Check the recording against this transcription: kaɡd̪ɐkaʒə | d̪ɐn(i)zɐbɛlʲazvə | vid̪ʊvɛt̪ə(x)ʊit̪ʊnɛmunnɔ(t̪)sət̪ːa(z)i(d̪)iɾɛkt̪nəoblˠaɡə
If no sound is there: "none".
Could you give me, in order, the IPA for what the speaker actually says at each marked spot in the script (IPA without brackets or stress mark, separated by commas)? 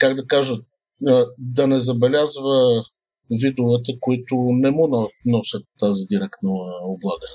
ɛ, k, none, z, d̪